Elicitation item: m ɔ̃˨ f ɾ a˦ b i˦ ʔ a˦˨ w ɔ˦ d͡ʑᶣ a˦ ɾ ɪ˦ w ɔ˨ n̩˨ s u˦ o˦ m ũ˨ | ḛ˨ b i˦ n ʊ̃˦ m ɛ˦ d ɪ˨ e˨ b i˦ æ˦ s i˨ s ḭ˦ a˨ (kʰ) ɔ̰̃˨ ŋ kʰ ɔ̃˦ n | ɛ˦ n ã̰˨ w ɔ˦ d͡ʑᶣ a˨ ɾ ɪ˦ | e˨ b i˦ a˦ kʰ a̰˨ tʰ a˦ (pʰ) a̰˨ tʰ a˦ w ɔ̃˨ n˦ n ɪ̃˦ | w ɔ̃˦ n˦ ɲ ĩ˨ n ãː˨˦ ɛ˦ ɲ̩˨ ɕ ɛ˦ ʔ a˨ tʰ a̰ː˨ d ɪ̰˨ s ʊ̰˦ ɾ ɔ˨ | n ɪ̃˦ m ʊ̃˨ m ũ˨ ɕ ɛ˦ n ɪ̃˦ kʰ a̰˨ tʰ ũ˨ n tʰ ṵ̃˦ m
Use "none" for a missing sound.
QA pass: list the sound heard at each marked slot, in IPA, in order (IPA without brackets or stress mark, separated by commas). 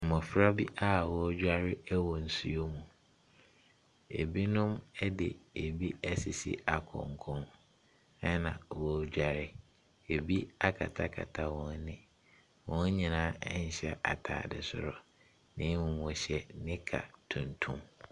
kʰ, kʰ